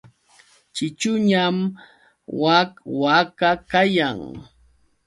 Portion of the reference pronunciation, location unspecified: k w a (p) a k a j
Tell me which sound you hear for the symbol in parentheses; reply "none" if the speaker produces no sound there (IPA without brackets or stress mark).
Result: k